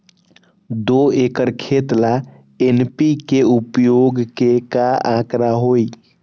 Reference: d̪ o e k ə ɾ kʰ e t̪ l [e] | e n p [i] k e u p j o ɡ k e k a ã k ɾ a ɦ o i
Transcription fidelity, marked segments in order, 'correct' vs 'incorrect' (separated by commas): incorrect, correct